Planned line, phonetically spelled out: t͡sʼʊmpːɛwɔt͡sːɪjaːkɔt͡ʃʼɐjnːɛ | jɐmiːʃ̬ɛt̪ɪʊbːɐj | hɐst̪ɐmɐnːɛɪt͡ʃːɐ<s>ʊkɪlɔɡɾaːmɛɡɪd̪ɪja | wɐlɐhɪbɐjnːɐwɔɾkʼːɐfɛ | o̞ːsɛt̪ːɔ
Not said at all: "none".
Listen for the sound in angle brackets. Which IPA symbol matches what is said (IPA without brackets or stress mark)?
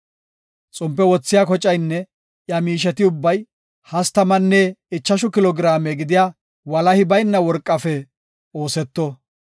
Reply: ʃ